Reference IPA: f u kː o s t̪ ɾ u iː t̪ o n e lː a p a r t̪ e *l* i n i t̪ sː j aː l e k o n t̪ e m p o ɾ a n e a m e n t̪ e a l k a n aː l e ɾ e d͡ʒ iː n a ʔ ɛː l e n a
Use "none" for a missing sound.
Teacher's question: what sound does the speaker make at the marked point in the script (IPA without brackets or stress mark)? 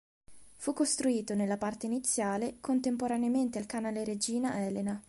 none